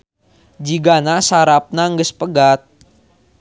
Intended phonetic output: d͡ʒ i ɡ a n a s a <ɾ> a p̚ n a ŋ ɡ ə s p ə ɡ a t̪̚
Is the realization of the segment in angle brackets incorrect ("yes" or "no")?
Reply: no